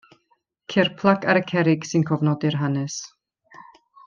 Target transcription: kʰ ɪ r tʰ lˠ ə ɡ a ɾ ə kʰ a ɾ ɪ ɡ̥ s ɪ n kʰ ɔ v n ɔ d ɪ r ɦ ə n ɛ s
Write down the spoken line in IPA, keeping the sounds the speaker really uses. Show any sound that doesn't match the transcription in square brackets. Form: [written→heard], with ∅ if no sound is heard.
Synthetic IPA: kʰ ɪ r [tʰ→pʰ] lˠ [ə→a] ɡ a ɾ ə kʰ [a→ɛ] ɾ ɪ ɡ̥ s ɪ n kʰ ɔ v n ɔ d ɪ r ɦ [ə→a] n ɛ s